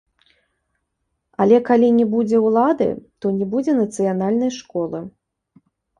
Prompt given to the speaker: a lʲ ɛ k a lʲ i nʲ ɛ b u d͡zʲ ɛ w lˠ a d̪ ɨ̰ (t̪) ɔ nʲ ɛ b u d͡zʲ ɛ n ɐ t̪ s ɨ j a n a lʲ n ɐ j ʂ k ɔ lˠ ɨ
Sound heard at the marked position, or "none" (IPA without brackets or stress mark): t̪